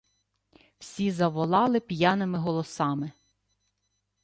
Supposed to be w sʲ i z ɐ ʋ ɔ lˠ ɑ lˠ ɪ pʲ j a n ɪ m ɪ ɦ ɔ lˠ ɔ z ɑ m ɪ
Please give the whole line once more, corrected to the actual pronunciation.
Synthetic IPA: w sʲ i z ɐ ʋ ɔ lˠ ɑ lˠ ɪ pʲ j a n ɪ m ɪ ɦ ɔ lˠ ɔ s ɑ m ɪ